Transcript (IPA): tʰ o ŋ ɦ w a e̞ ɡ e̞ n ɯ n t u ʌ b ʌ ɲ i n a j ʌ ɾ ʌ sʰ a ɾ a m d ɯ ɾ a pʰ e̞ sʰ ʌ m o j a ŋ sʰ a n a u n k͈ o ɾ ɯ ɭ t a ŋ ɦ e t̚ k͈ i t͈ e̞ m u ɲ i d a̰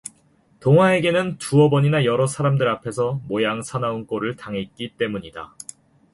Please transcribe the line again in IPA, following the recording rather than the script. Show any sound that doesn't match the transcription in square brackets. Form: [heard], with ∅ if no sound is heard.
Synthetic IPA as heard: [t] o ŋ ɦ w a e̞ ɡ e̞ n ɯ n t u ʌ b ʌ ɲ i n a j ʌ ɾ ʌ sʰ a ɾ a m d ɯ ɾ a pʰ e̞ sʰ ʌ m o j a ŋ sʰ a n a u n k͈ o ɾ ɯ ɭ t a ŋ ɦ e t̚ k͈ i t͈ e̞ m u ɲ i d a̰